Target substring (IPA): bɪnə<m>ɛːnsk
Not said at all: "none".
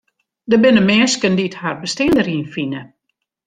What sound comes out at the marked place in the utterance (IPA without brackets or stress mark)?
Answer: m